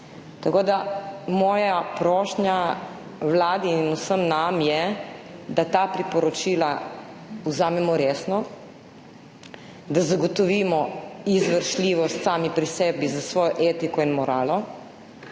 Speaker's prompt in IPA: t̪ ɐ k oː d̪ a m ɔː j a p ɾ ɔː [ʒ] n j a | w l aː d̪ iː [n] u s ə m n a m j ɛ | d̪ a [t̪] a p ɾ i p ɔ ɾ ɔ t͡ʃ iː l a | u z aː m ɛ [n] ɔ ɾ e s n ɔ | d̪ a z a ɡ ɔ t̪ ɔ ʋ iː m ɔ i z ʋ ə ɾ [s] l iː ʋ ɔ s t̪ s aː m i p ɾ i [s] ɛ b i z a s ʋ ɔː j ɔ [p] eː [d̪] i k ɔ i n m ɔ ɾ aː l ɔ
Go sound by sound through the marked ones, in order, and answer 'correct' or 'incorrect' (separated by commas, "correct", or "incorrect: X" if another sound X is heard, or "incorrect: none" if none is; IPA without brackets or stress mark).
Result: incorrect: ʃ, correct, correct, incorrect: m, incorrect: ʃ, correct, incorrect: ʔ, incorrect: t̪